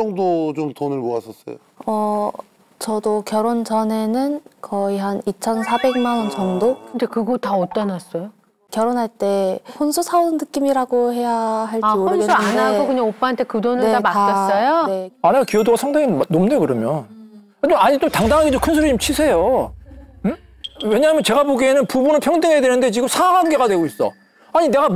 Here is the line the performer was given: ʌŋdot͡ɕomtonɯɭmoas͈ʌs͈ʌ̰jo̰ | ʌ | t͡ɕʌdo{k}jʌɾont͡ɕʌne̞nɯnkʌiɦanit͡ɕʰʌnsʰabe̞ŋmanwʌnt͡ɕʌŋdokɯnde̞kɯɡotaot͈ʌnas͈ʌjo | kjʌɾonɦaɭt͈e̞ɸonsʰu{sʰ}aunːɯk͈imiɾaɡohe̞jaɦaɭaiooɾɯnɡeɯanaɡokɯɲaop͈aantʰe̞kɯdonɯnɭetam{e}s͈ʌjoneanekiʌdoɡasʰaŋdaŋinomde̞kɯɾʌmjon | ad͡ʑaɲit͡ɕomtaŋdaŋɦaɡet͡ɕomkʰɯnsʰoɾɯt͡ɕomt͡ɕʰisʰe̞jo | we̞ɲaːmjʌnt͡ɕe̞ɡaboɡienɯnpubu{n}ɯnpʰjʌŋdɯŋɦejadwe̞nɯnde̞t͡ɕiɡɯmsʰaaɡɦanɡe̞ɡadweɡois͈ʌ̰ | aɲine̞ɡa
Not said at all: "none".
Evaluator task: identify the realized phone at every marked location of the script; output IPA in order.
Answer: k, sʰ, a, n

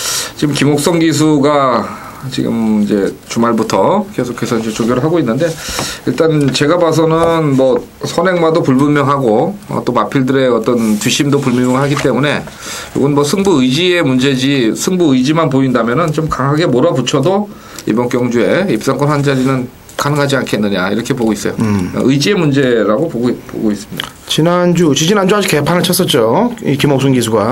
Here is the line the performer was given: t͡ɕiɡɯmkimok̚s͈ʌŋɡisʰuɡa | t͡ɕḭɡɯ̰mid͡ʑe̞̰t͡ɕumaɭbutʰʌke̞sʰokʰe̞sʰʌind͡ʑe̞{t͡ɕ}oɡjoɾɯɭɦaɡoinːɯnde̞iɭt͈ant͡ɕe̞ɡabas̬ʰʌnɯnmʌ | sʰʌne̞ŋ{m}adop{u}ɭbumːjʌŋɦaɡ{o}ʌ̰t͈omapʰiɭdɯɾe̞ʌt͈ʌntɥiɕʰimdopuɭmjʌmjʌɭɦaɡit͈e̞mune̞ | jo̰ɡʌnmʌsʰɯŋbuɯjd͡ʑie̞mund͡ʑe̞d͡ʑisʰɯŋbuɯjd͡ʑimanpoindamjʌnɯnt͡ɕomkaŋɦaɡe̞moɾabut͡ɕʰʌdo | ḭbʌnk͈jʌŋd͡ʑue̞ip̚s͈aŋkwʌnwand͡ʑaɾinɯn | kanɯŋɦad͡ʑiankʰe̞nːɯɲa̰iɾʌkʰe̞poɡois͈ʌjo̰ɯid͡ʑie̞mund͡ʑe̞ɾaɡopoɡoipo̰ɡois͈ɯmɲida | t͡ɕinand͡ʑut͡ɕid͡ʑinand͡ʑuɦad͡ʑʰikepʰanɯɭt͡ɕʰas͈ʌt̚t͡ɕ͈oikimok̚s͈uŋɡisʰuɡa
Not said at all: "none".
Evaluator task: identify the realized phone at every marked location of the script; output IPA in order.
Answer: t͡ɕ, m, u, o

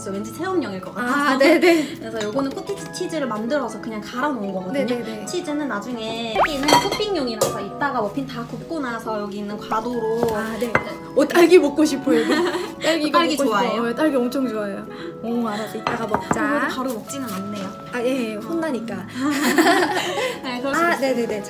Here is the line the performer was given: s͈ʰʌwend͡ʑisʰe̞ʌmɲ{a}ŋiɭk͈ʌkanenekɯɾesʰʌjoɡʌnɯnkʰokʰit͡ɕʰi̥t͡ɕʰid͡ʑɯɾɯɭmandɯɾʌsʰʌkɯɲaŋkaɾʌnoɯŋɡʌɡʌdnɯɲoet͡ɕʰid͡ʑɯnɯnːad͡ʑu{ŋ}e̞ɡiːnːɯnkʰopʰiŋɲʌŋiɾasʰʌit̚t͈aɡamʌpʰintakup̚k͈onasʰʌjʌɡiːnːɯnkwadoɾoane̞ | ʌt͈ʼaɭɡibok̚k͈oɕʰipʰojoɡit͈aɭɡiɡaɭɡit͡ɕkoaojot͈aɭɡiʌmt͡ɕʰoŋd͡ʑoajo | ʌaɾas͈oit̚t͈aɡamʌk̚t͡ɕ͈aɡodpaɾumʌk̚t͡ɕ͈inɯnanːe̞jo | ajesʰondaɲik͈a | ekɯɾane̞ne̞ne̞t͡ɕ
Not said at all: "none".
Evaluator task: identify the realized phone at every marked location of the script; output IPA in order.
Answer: ʌ, ŋ

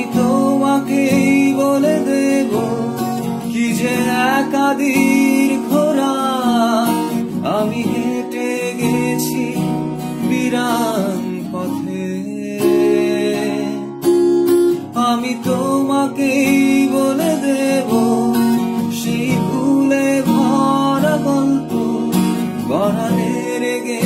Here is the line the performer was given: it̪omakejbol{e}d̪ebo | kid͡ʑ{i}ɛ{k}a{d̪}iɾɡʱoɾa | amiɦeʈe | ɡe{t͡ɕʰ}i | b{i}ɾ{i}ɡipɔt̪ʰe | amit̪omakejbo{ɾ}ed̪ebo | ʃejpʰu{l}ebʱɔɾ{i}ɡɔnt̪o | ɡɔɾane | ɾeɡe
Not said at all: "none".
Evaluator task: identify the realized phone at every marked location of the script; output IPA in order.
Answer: e, e, k, d̪, t͡ɕʰ, i, a, l, l, a

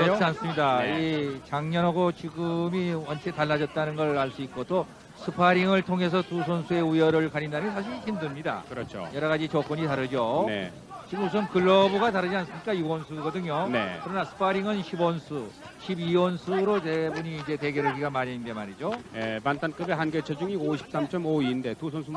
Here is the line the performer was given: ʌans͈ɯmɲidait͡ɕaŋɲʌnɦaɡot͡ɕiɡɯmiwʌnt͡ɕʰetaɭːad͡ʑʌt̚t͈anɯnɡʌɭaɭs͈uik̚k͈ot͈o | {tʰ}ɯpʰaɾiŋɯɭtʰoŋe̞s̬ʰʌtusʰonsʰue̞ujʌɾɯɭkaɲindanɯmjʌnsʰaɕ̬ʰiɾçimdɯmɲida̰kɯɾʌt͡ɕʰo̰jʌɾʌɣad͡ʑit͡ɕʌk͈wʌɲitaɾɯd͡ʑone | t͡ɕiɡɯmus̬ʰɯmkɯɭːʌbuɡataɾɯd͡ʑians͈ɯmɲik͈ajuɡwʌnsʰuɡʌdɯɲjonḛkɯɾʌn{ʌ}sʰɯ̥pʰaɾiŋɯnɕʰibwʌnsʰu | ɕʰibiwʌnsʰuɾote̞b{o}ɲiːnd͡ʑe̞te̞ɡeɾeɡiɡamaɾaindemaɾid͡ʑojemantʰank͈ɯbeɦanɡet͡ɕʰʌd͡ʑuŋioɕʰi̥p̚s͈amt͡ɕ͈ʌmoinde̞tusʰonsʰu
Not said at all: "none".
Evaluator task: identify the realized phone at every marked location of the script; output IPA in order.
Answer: sʰ, a, u

